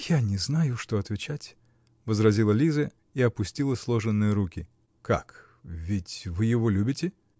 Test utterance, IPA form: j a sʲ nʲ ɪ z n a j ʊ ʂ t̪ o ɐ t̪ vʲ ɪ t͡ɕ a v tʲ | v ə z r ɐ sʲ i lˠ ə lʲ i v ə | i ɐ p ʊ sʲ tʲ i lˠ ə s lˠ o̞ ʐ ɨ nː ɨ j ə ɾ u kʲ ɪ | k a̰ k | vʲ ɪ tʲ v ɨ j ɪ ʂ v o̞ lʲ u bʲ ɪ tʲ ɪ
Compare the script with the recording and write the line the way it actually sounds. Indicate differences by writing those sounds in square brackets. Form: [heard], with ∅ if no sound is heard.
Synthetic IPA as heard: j a [∅] nʲ ɪ z n a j ʊ ʂ t̪ o ɐ t̪ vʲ ɪ t͡ɕ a [∅] tʲ | v ə z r ɐ [zʲ] i lˠ ə lʲ i [z] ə | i ɐ p ʊ sʲ tʲ i lˠ ə s lˠ o̞ ʐ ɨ nː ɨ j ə ɾ u kʲ ɪ | k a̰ k | vʲ ɪ tʲ v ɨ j ɪ [∅] v o̞ lʲ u bʲ ɪ tʲ ɪ